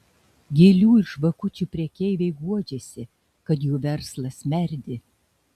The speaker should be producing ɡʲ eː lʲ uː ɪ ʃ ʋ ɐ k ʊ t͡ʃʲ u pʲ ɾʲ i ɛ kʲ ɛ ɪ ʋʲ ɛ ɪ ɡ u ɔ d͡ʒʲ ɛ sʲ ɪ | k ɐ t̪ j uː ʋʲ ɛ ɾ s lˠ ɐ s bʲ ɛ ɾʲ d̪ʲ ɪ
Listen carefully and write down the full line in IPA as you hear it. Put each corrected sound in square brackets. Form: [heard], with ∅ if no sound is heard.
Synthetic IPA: ɡʲ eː lʲ uː ɪ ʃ ʋ ɐ k ʊ t͡ʃʲ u pʲ ɾʲ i ɛ kʲ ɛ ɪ ʋʲ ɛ ɪ ɡ u ɔ d͡ʒʲ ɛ sʲ ɪ | k ɐ t̪ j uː ʋʲ ɛ ɾ s lˠ ɐ s [mʲ] ɛ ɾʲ d̪ʲ ɪ

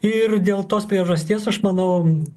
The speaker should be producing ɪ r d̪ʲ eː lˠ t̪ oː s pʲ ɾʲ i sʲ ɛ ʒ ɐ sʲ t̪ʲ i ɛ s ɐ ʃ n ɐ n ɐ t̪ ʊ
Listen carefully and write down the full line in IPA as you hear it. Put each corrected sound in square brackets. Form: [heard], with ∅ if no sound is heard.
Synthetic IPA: ɪ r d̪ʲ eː lˠ t̪ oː s pʲ ɾʲ i [∅] ɛ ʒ ɐ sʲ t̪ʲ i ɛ s ɐ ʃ [m] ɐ n ɐ [∅] ʊ

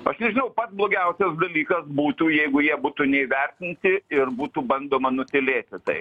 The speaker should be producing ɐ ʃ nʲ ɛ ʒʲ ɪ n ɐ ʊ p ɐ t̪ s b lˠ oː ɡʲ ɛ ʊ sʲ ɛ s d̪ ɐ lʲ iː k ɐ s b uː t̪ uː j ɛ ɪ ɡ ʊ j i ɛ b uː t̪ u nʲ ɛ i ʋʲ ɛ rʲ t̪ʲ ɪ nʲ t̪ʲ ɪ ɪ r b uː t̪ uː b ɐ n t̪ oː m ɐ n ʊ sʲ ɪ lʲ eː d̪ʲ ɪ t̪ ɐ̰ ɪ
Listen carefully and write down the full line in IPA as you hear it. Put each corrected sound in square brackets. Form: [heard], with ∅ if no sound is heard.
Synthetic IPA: ɐ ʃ nʲ ɛ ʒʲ ɪ n ɐ ʊ p ɐ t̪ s b lˠ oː ɡʲ ɛ ʊ sʲ ɛ s d̪ ɐ lʲ iː k ɐ s b uː t̪ uː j ɛ ɪ ɡ ʊ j i ɛ b uː t̪ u nʲ ɛ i ʋʲ ɛ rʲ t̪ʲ ɪ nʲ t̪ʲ ɪ ɪ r b uː t̪ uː b ɐ n [d̪] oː m ɐ n ʊ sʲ ɪ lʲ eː [t̪ʲ] ɪ t̪ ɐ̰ ɪ

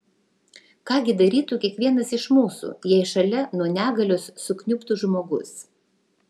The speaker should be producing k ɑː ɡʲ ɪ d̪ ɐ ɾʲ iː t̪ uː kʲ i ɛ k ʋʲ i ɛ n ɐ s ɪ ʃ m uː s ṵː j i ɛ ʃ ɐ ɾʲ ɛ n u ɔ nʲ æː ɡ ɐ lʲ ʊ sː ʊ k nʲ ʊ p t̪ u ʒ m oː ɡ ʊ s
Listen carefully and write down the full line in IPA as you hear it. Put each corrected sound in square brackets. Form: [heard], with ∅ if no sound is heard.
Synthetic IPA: k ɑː ɡʲ ɪ d̪ ɐ ɾʲ iː t̪ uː kʲ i ɛ k ʋʲ i ɛ n ɐ s ɪ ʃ m uː s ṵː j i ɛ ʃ ɐ [lʲ] ɛ n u ɔ nʲ æː ɡ ɐ lʲ ʊ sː ʊ k nʲ ʊ p t̪ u ʒ m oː ɡ ʊ s

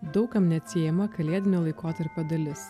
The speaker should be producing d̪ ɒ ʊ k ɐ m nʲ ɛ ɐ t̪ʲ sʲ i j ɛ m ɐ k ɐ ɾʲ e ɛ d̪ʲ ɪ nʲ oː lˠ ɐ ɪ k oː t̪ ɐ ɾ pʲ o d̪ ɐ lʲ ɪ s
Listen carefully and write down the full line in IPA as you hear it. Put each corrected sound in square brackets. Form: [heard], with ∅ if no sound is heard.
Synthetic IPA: d̪ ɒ ʊ k ɐ m nʲ ɛ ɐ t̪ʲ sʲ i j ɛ m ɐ k ɐ [lʲ] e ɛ d̪ʲ ɪ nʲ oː lˠ ɐ ɪ k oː t̪ ɐ ɾ pʲ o d̪ ɐ lʲ ɪ s

